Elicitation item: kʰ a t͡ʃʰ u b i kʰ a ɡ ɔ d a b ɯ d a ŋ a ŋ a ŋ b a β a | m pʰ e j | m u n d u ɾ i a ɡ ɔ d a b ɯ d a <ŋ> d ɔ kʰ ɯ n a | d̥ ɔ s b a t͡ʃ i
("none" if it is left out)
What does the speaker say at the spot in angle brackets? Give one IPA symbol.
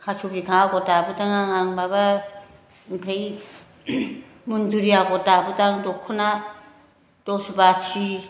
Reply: ŋ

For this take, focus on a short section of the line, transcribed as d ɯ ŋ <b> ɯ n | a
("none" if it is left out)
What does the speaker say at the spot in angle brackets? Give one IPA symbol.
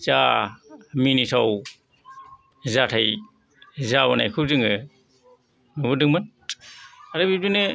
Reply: m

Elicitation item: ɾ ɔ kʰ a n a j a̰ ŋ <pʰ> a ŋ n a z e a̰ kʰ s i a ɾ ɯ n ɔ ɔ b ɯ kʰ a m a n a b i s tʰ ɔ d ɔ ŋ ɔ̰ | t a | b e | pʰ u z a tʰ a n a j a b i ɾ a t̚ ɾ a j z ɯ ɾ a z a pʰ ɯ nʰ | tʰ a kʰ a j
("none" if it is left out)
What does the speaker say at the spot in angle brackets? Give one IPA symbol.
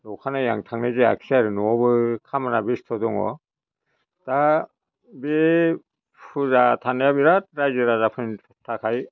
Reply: tʰ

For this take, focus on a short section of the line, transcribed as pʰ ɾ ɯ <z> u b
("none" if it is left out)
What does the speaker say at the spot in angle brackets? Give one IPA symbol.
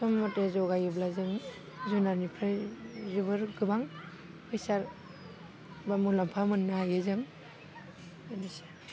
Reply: z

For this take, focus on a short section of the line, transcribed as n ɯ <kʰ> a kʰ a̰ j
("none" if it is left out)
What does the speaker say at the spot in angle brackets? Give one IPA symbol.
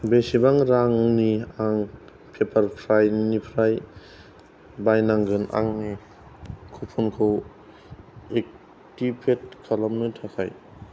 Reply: tʰ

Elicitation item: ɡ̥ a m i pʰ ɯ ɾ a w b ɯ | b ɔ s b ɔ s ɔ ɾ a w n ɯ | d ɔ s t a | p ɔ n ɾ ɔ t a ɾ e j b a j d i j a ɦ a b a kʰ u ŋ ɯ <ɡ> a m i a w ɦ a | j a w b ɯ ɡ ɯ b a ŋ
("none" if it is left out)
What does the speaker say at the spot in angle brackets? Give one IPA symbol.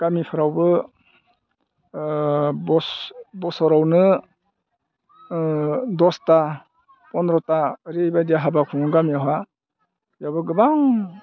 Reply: ɡ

